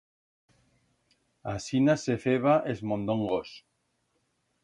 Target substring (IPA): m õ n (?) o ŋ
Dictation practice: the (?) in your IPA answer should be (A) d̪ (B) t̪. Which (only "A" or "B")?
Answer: A